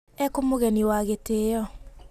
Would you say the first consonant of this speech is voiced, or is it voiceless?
voiceless